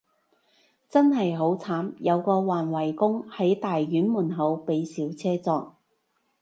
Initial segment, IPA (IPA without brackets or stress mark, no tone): t͡s